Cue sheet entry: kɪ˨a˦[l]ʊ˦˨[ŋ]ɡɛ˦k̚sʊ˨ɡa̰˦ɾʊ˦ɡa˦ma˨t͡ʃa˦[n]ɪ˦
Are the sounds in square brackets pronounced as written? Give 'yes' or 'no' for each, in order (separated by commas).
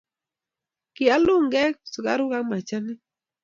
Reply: yes, yes, yes